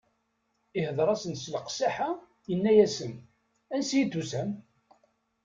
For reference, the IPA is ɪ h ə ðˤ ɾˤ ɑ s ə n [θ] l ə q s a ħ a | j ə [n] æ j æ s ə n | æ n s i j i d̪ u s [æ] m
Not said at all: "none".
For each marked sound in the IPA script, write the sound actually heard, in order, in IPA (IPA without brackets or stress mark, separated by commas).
s, nː, æ